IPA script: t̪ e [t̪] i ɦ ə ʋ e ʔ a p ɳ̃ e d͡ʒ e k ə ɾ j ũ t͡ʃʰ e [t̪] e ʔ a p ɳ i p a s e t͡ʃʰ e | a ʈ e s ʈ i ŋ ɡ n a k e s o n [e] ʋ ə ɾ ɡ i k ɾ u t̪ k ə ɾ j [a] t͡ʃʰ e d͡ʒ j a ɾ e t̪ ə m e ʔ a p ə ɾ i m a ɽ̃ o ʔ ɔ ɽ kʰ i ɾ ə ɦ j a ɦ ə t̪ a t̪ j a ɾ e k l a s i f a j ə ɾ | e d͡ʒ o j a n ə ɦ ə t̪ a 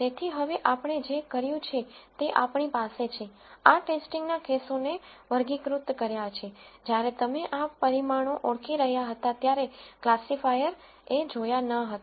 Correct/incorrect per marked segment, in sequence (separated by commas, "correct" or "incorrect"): incorrect, correct, correct, correct